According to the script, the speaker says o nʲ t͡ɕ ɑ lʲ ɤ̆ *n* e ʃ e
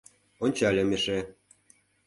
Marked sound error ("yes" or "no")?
yes